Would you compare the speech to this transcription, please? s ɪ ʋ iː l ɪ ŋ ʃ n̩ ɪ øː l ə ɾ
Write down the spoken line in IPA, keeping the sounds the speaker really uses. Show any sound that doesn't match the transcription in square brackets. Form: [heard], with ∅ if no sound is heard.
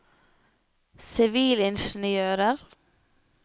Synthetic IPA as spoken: s ɪ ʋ iː l ɪ [n] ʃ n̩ ɪ øː [ɾ] ə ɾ